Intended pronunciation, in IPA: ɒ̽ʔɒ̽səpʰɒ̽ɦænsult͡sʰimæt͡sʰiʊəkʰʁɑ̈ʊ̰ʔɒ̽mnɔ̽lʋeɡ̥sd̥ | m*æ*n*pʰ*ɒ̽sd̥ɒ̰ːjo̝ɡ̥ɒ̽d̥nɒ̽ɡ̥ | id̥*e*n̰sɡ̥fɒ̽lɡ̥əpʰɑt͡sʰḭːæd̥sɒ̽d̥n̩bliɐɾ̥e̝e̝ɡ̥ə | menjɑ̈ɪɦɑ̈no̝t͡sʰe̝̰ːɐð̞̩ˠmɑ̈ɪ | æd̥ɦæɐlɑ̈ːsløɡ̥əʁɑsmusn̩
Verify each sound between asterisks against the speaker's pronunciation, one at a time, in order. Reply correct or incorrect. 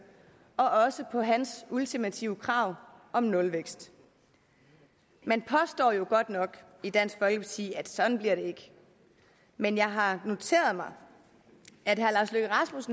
incorrect: e, correct, incorrect: æ

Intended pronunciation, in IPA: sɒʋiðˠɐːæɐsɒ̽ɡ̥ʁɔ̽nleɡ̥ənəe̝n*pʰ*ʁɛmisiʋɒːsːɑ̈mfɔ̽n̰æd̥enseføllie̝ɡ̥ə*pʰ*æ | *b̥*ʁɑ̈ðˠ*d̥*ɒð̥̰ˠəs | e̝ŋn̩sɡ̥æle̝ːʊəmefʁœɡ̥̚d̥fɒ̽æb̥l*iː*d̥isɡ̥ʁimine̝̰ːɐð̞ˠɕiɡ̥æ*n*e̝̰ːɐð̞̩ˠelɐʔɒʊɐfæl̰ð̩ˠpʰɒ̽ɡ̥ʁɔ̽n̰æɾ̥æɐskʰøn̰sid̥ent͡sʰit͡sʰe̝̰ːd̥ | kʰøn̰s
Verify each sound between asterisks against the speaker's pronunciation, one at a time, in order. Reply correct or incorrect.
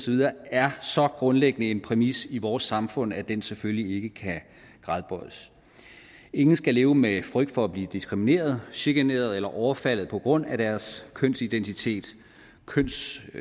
correct, incorrect: kʰ, incorrect: ɡ̥, incorrect: b̥, correct, correct

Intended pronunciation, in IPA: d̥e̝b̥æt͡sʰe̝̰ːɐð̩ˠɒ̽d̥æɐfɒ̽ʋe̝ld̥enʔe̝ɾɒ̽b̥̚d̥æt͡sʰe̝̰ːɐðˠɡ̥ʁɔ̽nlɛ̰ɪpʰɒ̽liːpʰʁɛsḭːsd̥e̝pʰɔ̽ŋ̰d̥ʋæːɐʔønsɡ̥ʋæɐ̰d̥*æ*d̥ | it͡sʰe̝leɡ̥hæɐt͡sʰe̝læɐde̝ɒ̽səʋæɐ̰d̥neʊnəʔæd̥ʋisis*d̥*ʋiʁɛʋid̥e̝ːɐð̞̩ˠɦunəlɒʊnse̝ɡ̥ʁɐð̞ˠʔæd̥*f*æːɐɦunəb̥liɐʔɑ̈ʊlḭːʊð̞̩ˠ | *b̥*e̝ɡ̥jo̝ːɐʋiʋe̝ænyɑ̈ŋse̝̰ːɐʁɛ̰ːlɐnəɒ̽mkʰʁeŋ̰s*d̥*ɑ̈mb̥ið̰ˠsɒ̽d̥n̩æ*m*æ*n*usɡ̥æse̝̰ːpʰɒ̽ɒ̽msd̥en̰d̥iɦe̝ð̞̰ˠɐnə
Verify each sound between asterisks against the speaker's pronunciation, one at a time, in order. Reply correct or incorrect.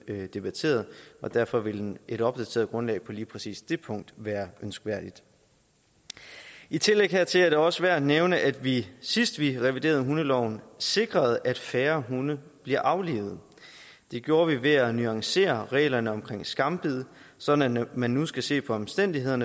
incorrect: i, correct, correct, incorrect: d̥, incorrect: ɡ̥, correct, incorrect: nː

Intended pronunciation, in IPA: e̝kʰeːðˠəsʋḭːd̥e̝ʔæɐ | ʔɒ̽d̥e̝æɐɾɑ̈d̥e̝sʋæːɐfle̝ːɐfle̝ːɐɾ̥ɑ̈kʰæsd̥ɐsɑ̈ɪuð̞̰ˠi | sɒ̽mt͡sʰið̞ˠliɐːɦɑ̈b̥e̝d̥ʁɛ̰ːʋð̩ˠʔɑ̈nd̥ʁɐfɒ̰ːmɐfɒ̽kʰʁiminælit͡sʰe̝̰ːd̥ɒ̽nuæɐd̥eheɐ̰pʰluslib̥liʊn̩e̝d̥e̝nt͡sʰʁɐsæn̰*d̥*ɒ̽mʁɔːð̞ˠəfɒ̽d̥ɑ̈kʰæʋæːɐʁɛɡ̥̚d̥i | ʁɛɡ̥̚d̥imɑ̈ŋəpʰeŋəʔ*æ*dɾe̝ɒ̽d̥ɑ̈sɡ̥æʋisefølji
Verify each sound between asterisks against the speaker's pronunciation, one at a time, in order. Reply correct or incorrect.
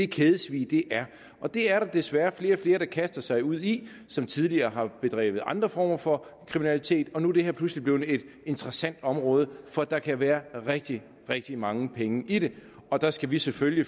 correct, incorrect: i

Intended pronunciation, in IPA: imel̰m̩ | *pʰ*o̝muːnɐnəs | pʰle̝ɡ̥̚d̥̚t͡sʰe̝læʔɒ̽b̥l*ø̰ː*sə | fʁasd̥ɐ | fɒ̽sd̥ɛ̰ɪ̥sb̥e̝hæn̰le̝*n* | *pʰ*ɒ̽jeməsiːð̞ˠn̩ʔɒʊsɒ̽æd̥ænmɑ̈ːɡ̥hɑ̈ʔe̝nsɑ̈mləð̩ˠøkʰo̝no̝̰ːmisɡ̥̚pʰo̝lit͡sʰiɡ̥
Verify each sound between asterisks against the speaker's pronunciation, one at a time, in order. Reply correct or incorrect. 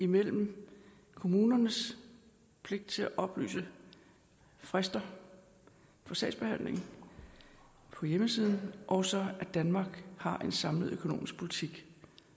incorrect: kʰ, incorrect: y̰ː, incorrect: ŋ, correct

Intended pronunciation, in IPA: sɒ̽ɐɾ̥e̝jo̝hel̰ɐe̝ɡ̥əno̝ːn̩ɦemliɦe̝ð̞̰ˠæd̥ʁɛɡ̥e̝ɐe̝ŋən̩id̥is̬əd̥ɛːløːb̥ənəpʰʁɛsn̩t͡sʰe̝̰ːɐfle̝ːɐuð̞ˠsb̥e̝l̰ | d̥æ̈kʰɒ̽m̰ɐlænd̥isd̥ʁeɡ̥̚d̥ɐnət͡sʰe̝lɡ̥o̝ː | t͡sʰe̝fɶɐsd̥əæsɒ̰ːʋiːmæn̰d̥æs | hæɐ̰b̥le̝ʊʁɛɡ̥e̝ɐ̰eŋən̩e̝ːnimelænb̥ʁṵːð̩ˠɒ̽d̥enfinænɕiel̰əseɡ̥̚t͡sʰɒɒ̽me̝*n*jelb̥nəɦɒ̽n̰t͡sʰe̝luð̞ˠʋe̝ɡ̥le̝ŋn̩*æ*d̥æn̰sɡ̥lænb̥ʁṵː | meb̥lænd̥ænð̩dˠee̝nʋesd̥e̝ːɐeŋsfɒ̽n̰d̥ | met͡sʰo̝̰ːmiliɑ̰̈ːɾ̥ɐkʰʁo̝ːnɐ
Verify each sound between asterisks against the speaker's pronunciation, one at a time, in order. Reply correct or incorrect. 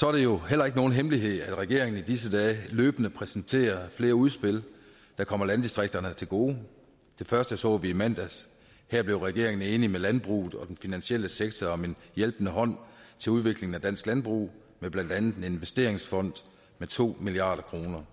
correct, correct

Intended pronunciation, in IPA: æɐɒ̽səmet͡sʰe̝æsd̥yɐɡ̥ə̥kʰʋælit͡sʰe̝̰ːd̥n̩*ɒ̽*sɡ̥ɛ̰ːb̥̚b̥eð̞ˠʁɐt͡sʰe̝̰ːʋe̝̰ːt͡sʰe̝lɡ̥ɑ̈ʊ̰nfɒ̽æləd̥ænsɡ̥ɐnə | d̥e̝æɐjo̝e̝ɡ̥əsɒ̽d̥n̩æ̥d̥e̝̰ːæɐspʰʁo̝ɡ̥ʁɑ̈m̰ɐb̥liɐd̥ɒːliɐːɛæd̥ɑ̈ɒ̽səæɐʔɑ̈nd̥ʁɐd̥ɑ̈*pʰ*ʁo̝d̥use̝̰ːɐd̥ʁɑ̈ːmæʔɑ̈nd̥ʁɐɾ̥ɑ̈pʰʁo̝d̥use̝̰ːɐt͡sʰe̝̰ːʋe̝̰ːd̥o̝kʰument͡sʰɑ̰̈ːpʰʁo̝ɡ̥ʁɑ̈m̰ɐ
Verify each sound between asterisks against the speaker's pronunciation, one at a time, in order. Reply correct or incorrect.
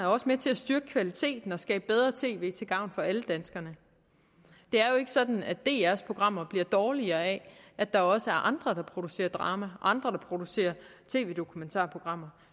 correct, correct

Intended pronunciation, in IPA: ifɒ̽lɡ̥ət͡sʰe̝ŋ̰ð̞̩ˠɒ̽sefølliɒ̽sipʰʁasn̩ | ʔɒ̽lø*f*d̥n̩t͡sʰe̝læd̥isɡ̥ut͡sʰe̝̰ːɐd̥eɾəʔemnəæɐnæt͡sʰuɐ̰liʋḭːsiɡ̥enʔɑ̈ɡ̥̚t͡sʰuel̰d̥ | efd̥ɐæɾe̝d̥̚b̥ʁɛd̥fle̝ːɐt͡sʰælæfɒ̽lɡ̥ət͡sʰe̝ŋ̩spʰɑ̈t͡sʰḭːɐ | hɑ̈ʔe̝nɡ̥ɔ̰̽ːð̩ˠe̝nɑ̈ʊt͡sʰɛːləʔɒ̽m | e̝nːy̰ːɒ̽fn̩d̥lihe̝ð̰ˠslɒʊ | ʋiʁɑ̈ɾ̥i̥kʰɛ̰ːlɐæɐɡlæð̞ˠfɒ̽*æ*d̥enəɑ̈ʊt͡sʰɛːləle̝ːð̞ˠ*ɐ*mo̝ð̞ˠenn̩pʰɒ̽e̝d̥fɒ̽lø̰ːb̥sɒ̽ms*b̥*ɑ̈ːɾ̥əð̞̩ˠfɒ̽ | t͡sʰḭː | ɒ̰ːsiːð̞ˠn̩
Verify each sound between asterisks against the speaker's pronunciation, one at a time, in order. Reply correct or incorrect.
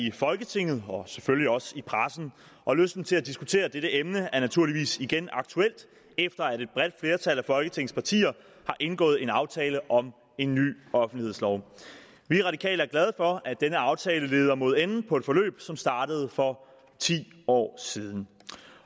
incorrect: s, correct, correct, incorrect: d̥

